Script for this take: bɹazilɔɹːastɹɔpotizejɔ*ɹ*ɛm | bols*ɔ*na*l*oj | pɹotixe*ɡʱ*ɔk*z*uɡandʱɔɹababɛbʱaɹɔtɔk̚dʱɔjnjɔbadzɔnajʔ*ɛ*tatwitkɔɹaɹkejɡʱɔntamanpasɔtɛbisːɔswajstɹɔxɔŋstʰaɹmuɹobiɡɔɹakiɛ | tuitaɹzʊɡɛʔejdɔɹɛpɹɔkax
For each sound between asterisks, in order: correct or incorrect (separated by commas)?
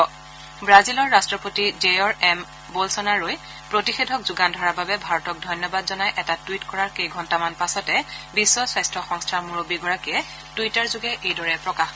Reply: correct, correct, incorrect, incorrect, correct, correct